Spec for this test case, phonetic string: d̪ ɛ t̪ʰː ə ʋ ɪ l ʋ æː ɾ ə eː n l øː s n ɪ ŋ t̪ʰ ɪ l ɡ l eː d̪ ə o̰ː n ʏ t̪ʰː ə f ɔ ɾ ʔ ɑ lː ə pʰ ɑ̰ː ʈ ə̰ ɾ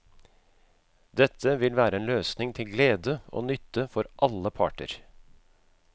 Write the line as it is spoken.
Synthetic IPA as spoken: d̪ ɛ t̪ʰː ə ʋ ɪ l ʋ æː ɾ ə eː n l øː s n ɪ ŋ t̪ʰ ɪ l ɡ l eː d̪ ə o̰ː n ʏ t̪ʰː ə f ɔ ɾ ʔ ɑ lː ə pʰ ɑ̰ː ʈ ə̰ ɾ